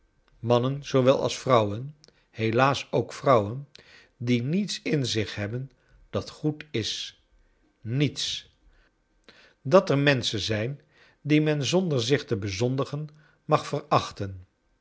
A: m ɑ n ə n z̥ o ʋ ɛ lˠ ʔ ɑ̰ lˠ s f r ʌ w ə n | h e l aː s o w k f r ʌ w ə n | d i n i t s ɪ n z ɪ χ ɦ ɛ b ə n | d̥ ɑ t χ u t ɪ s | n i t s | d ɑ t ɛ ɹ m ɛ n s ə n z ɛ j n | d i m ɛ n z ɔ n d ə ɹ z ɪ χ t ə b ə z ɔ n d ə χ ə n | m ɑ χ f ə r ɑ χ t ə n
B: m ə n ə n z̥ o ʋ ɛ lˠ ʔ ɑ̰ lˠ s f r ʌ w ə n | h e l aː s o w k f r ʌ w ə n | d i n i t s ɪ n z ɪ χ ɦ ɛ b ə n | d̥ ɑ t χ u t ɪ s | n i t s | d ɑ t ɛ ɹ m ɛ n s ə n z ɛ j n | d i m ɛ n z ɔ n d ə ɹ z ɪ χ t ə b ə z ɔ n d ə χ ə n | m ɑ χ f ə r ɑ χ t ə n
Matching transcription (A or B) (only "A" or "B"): A